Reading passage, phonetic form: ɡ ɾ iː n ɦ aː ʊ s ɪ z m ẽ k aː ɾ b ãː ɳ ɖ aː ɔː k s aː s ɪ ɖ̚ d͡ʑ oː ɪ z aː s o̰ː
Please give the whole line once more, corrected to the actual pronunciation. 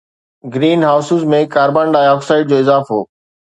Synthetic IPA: ɡ ɾ iː n ɦ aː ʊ s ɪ z m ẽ k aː ɾ b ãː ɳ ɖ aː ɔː k s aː ɪ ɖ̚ d͡ʑ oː ɪ z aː f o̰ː